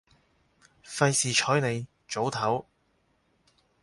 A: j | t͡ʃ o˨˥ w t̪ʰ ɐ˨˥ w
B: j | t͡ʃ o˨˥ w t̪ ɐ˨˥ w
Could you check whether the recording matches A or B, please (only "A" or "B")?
A